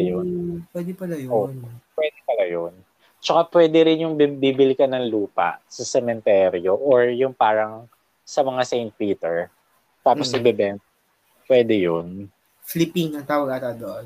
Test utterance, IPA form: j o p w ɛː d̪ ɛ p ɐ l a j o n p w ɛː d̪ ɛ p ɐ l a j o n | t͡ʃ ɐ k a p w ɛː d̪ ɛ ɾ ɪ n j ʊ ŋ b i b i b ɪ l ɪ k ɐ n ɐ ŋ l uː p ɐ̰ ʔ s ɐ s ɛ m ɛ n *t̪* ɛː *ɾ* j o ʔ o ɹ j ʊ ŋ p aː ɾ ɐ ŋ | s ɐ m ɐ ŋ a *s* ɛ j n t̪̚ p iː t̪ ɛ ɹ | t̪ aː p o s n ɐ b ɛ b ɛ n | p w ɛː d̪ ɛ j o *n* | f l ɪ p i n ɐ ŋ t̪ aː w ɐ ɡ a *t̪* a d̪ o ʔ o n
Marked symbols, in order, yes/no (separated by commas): yes, yes, yes, yes, yes